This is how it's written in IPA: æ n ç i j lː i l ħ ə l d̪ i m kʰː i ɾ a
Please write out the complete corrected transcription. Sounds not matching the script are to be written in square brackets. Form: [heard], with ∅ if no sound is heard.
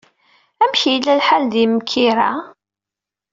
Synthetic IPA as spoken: æ [m] ç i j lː [æ] l ħ [a] l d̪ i m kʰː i ɾ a